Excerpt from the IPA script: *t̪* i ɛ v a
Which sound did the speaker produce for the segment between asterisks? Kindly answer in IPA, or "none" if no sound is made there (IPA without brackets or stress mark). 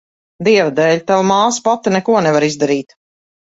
d̪